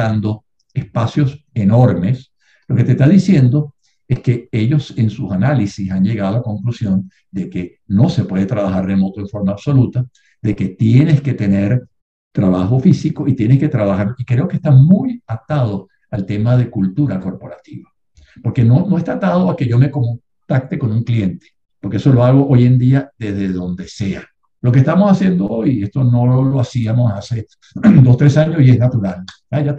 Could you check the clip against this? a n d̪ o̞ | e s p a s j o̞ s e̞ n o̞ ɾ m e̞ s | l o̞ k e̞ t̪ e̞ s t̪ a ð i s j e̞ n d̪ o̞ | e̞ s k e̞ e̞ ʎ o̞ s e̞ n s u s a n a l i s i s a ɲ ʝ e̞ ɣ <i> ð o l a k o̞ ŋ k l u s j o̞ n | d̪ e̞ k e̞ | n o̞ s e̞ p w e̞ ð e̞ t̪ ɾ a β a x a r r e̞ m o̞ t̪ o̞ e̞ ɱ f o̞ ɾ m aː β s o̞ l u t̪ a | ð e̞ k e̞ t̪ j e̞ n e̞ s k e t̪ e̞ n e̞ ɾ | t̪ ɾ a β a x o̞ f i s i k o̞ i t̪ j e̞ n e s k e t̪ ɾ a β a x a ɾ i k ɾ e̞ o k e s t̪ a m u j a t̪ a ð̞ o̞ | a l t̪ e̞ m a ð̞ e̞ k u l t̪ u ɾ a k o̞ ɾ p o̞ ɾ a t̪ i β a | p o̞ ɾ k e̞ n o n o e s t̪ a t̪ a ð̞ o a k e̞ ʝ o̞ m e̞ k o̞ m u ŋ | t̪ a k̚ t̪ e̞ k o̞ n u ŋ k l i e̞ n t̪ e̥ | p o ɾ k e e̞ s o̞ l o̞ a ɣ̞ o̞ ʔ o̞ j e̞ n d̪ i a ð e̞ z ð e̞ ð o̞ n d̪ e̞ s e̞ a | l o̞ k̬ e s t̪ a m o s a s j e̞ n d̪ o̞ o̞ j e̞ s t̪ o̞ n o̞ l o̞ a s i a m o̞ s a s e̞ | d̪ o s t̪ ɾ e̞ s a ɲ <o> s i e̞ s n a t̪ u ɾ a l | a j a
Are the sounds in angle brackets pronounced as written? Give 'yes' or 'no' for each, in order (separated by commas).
no, yes